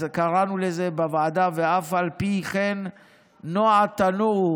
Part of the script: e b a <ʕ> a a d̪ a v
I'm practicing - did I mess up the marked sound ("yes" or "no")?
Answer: yes